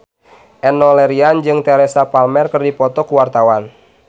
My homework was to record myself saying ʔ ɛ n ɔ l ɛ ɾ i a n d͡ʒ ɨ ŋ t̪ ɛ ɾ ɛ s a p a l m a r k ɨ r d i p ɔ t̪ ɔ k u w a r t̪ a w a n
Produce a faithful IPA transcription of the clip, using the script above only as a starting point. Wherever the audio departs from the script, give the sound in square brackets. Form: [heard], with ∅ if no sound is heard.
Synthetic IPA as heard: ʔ ɛ n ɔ l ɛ ɾ i a n d͡ʒ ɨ ŋ t̪ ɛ ɾ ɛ s a p a l m [ɛ] r k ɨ r d i p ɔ t̪ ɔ k u w a r t̪ a w a n